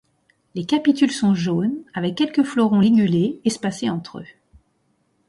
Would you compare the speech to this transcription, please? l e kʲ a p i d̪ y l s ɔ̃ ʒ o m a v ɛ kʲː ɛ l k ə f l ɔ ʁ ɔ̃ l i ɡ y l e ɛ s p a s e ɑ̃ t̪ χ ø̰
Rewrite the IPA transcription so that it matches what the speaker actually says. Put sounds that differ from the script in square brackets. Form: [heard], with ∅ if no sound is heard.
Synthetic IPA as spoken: l e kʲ a p i [t̪] y l s ɔ̃ ʒ o [n] a v ɛ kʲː ɛ l k ə f l ɔ ʁ ɔ̃ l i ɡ y l e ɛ s p a s e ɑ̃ t̪ χ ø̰

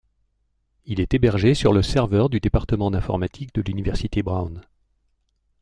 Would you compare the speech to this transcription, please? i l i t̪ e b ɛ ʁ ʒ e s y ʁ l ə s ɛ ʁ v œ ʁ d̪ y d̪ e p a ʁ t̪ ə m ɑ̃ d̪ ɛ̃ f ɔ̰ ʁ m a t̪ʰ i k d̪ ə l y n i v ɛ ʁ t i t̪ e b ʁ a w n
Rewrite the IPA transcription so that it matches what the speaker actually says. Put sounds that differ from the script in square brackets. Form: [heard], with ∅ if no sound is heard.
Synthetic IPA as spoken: i l [ɛ] t̪ e b ɛ ʁ ʒ e s y ʁ l ə s ɛ ʁ v œ ʁ d̪ y d̪ e p a ʁ t̪ ə m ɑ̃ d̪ ɛ̃ f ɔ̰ ʁ m a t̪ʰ i k d̪ ə l y n i v ɛ ʁ [s] i t̪ e b ʁ a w n

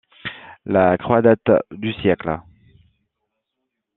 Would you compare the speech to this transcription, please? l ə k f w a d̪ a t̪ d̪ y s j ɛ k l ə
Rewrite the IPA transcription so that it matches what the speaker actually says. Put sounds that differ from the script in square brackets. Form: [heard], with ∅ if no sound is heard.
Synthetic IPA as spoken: l [a] k [χ] w a d̪ a t̪ d̪ y s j ɛ k l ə

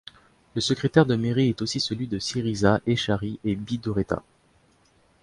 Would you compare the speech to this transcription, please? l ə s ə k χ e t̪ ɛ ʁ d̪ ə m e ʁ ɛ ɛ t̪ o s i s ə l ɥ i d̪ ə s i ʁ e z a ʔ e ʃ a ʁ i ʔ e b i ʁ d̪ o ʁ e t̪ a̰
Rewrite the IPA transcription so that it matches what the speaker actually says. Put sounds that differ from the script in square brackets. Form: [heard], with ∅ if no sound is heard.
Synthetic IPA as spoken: l ə s ə k χ e t̪ ɛ ʁ d̪ ə m e ʁ [i] ɛ t̪ o s i s ə l ɥ i d̪ ə s i ʁ [i] z a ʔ e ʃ a ʁ i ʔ e b i [∅] d̪ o ʁ e t̪ a̰

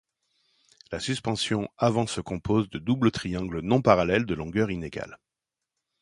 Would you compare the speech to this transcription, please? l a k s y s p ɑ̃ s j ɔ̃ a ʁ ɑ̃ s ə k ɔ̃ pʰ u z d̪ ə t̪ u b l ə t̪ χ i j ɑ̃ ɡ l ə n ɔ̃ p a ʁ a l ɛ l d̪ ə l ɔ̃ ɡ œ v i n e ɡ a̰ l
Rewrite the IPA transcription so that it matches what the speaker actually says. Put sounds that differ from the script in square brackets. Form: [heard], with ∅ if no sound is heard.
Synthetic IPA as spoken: l a [∅] s y s p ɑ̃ s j ɔ̃ a [v] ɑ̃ s ə k ɔ̃ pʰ [o] z d̪ ə [d̪] u b l ə t̪ χ i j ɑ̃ ɡ l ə n ɔ̃ p a ʁ a l ɛ l d̪ ə l ɔ̃ ɡ œ [ʁ] i n e ɡ a̰ l

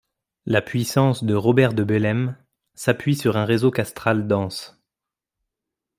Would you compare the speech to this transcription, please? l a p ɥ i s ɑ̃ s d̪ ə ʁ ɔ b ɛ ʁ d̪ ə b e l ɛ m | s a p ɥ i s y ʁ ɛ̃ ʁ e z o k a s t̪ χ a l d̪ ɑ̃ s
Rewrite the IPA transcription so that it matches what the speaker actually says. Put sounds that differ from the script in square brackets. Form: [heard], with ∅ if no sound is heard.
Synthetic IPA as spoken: l a p ɥ i s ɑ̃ s d̪ ə ʁ ɔ b ɛ ʁ d̪ ə b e l ɛ m | s a p ɥ i s y ʁ ɛ̃ ʁ e z o k a s t̪ χ a l d̪ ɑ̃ s

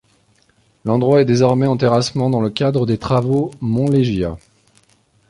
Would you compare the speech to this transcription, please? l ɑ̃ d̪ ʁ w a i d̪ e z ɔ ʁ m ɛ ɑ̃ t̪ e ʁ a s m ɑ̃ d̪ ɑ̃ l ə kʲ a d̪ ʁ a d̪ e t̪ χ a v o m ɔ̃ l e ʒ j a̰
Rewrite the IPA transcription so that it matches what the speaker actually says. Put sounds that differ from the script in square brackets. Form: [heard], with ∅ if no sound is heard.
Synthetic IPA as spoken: l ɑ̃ d̪ ʁ w a [ɛ] d̪ e z ɔ ʁ m ɛ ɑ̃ t̪ e ʁ a s m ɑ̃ d̪ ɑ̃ l ə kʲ a d̪ ʁ [ə] d̪ e t̪ χ a v o m ɔ̃ l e ʒ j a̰

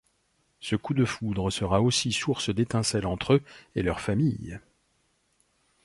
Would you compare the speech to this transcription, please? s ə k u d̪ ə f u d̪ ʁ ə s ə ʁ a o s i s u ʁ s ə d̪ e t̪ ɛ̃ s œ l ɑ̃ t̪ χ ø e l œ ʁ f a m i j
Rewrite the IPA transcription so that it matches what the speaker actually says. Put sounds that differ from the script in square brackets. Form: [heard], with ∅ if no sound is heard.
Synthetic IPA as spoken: s ə k u d̪ ə f u d̪ ʁ ə s ə ʁ a o s i s u ʁ s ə d̪ e t̪ ɛ̃ s [ɛ] l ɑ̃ t̪ χ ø e l œ ʁ f a m i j

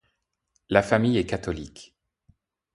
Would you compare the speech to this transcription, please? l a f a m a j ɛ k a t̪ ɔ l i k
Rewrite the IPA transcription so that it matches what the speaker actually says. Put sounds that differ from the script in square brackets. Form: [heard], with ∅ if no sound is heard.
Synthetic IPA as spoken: l a f a m [i] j ɛ k a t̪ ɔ l i k

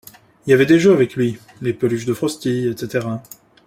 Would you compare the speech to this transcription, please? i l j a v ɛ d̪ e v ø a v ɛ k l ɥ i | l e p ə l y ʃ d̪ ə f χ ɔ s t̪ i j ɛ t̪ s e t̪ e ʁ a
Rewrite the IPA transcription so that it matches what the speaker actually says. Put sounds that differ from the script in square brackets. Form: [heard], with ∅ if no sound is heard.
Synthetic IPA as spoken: i l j a v ɛ d̪ e [ʒ] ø a v ɛ k l ɥ i | l e p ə l y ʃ d̪ ə f χ ɔ s t̪ i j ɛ t̪ s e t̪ e ʁ a

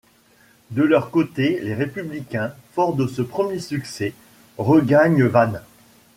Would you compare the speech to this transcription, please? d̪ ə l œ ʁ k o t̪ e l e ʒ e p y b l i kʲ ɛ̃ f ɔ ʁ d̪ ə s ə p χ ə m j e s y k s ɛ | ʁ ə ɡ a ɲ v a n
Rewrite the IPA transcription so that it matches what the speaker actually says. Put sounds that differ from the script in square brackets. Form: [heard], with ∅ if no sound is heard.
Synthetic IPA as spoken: d̪ ə l œ ʁ k o t̪ e l e [ʁ] e p y b l i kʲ ɛ̃ f ɔ ʁ d̪ ə s ə p χ ə m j e s y k s ɛ | ʁ ə ɡ a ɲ v a n

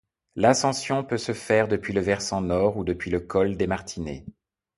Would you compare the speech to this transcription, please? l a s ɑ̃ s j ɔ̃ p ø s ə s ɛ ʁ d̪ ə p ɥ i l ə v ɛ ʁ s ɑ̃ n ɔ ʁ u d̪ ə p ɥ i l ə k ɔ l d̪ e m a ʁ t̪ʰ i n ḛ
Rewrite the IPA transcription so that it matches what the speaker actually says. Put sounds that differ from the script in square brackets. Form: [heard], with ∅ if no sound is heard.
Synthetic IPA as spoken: l a s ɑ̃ s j ɔ̃ p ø s ə [f] ɛ ʁ d̪ ə p ɥ i l ə v ɛ ʁ s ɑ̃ n ɔ ʁ u d̪ ə p ɥ i l ə k ɔ l d̪ e m a ʁ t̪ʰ i n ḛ

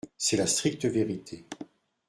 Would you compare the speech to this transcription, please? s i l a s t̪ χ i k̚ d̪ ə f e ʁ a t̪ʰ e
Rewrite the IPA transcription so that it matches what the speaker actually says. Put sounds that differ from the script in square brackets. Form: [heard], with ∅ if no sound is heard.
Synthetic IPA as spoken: s [ɛ] l a s t̪ χ i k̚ [t̪] ə [v] e ʁ [i] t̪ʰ e

